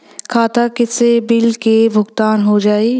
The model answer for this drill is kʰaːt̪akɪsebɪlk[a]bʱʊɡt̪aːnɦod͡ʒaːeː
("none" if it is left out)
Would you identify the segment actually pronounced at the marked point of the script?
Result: e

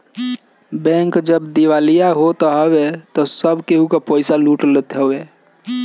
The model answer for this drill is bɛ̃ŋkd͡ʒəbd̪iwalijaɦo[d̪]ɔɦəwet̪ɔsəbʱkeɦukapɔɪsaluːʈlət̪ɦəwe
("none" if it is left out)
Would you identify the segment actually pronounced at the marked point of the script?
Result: t̪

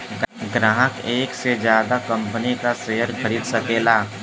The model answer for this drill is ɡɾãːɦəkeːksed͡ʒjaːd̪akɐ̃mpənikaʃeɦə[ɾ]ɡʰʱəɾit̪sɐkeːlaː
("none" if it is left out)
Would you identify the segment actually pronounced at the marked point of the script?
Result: ɾ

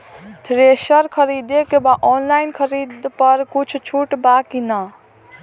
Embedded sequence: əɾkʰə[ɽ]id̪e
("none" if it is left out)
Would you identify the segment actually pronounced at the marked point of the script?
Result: ɾ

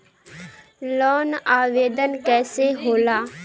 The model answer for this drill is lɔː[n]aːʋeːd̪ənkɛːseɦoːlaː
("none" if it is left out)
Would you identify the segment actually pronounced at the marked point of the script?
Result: n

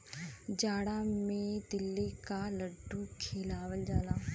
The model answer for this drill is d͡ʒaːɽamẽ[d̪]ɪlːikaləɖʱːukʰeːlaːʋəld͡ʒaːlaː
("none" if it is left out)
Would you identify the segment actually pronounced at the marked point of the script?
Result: d̪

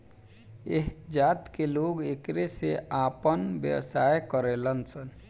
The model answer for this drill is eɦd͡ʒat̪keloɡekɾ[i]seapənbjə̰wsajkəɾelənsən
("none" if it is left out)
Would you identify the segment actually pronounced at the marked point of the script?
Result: e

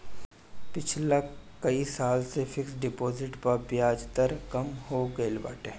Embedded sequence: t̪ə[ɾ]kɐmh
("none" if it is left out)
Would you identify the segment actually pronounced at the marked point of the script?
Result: ɾ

